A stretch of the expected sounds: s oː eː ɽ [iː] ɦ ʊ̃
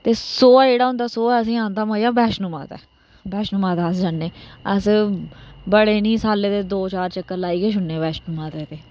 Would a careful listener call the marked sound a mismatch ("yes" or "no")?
yes